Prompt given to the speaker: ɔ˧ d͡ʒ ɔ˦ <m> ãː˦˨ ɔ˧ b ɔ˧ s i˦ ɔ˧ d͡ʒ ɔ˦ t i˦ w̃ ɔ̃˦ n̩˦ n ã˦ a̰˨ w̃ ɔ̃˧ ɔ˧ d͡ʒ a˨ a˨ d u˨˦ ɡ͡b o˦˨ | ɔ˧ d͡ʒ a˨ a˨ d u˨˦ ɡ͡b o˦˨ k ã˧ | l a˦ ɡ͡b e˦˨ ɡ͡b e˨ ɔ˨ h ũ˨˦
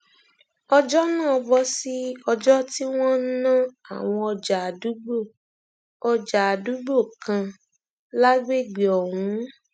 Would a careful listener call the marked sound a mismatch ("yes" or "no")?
yes